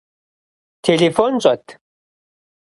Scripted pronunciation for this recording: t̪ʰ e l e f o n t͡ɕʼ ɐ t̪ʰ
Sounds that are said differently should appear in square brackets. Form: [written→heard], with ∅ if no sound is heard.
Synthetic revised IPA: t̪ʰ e l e f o n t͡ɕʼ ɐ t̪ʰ